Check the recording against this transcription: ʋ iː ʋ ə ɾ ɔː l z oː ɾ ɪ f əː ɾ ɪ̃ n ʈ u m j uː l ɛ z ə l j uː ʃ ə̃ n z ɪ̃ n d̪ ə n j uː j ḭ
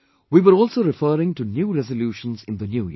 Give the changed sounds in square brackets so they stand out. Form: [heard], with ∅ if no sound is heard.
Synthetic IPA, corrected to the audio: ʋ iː ʋ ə ɾ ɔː l [s] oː ɾ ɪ f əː ɾ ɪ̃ [ŋ] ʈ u [n] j uː [ɾ] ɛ z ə l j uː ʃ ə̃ n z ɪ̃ n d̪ ə n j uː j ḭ